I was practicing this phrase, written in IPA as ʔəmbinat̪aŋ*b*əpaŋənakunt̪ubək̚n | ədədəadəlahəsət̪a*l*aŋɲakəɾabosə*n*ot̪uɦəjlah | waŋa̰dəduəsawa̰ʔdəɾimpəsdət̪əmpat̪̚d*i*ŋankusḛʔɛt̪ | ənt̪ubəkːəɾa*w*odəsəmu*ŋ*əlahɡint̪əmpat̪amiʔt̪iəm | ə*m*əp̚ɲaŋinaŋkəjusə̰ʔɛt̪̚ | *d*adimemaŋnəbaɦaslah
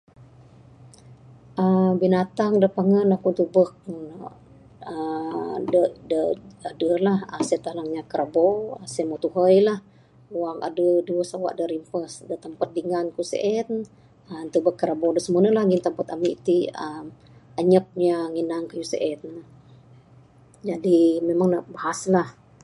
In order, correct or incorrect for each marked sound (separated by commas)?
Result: incorrect, correct, incorrect, correct, incorrect, incorrect, incorrect, incorrect